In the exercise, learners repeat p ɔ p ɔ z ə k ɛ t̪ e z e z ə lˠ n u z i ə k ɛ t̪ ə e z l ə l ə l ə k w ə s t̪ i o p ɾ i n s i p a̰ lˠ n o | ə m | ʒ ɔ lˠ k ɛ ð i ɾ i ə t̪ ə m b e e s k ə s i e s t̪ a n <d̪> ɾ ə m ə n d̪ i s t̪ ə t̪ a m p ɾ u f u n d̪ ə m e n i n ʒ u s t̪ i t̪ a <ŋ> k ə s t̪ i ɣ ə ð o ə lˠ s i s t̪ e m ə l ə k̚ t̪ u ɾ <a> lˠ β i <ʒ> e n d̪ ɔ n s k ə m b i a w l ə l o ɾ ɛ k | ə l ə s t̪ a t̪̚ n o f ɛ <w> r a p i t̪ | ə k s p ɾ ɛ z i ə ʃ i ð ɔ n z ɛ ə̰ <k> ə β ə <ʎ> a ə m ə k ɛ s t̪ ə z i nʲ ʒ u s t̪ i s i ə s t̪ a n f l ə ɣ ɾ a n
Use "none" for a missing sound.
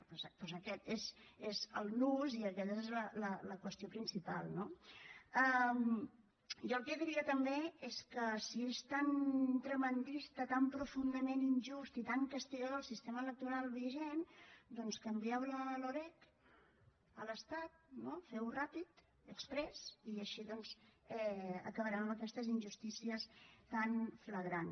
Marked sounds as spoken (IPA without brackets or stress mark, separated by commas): t̪, ŋ, a, ʒ, w, k, ɾ